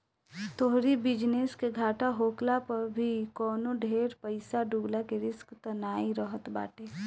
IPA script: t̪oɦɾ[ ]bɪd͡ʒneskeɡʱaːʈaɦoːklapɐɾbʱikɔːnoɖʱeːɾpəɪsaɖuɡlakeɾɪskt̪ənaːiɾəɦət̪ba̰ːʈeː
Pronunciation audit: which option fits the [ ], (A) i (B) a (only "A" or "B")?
A